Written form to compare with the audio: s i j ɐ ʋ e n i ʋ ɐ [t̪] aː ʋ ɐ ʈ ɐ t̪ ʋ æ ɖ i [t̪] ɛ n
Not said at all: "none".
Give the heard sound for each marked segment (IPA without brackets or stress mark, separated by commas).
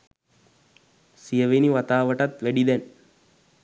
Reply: t̪, d̪